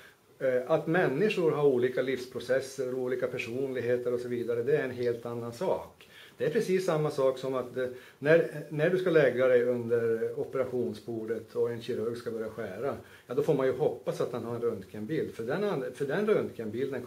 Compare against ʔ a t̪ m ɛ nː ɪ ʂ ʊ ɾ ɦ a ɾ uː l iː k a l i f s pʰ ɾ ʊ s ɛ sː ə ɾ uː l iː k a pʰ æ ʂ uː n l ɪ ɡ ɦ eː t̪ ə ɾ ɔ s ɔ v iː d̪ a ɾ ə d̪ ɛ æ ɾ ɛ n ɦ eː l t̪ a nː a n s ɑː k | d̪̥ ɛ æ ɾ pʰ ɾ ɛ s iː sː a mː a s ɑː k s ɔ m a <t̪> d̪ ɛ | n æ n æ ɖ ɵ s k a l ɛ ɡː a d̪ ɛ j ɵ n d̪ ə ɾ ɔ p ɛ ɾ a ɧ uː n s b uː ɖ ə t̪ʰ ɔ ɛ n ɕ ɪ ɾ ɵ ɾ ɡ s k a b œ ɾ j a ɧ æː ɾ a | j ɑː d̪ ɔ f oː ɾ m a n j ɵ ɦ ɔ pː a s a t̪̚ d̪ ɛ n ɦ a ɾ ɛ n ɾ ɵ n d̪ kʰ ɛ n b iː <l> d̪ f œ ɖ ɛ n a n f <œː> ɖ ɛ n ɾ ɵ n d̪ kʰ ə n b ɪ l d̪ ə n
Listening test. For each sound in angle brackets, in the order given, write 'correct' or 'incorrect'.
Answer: correct, correct, incorrect

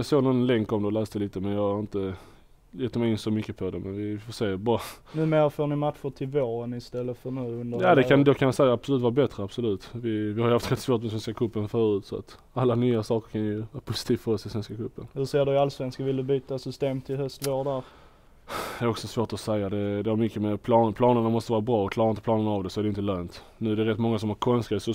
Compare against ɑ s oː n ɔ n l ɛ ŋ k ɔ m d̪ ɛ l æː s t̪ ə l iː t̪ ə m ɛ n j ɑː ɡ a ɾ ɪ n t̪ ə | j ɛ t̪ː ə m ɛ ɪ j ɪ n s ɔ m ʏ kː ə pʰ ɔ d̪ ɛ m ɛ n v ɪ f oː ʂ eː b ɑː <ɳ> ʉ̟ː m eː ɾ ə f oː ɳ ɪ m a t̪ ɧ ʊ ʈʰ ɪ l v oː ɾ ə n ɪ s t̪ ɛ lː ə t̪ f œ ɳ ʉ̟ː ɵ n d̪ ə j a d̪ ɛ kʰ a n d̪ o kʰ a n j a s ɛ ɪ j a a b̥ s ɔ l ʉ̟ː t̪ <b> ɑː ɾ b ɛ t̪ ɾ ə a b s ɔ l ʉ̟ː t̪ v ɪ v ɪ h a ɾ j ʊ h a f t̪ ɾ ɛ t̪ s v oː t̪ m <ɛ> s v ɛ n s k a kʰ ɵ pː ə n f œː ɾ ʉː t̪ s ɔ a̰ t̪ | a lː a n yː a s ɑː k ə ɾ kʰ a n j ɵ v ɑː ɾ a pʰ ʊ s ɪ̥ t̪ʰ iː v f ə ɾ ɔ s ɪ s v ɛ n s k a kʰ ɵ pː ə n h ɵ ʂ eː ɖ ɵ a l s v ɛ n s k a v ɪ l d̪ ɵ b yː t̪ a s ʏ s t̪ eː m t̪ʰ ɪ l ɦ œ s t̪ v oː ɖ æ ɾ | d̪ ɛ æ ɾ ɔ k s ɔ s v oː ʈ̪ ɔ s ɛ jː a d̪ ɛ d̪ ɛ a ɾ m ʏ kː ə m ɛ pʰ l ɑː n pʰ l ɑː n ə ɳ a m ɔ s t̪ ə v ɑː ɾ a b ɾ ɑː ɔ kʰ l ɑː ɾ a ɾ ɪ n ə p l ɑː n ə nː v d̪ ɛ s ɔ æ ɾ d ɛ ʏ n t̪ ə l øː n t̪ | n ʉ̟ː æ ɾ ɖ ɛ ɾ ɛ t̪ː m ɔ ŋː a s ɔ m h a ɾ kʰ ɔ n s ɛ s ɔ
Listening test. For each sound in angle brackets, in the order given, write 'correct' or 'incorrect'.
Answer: incorrect, incorrect, correct

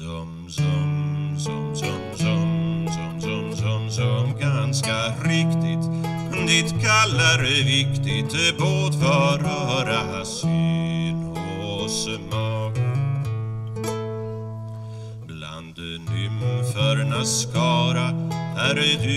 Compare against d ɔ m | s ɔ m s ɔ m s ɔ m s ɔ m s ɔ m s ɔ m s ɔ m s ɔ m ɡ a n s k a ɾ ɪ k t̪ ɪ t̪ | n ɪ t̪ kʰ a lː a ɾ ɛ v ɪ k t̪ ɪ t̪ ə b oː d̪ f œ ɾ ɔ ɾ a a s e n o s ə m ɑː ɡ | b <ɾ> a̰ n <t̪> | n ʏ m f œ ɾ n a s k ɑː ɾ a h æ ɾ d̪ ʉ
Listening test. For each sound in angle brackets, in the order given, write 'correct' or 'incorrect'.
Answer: incorrect, incorrect

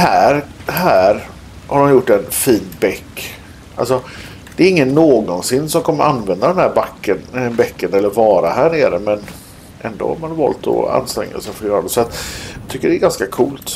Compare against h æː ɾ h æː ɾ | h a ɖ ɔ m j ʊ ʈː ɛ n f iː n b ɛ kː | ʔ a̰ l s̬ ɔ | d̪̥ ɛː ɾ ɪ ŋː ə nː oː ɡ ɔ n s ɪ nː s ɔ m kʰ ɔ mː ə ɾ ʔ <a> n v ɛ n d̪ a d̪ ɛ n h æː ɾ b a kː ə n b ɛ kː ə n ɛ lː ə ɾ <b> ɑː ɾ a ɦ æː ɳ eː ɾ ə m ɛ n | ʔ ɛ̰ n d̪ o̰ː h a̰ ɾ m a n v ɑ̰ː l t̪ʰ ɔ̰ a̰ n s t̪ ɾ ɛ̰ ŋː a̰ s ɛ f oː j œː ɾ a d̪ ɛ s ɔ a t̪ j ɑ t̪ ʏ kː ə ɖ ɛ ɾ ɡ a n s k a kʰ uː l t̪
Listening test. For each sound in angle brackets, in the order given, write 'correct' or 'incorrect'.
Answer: correct, incorrect

